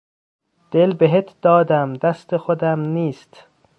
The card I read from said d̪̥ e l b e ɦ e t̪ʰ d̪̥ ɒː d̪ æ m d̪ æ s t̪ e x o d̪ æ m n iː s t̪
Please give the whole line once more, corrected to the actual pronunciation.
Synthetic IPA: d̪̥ e l b e ɦ e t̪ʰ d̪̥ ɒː d̪ æ m d̪ æ s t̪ e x o d̪ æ m n iː s t̪